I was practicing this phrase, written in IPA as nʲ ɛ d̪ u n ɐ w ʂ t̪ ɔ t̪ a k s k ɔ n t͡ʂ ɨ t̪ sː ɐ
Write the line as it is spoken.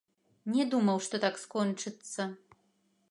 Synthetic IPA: nʲ ɛ d̪ u m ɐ w ʂ t̪ ɔ t̪ a k s k ɔ n t͡ʂ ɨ t̪ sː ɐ